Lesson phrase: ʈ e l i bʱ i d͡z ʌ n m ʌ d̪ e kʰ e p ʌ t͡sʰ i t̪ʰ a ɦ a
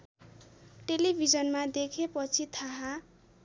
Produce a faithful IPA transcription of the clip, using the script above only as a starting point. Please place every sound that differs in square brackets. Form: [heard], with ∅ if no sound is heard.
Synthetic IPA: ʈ e l i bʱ i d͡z ʌ n m [a] d̪ e kʰ e p ʌ t͡sʰ i t̪ʰ a ɦ a